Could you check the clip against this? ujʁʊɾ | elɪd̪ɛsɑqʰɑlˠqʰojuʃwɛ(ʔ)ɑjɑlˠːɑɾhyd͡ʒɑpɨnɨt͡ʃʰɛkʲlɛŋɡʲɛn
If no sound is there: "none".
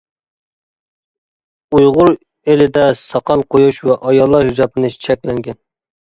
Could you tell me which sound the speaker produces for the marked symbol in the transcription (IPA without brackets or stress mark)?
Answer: ʔ